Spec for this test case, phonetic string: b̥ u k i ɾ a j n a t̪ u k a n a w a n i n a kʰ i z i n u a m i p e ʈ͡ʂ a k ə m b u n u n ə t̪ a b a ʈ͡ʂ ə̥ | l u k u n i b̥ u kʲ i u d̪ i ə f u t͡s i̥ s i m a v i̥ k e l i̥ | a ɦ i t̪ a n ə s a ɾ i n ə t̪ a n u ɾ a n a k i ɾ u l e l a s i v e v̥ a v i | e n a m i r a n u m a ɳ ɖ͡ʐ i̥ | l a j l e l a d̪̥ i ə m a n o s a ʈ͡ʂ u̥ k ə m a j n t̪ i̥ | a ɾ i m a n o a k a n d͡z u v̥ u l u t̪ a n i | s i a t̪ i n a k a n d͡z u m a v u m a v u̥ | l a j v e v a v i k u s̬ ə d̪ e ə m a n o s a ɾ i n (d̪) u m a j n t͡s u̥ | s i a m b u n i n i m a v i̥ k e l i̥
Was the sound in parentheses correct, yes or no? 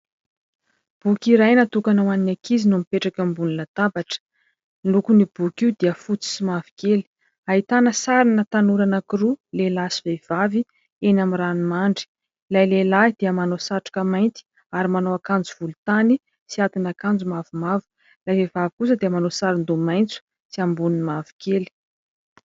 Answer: yes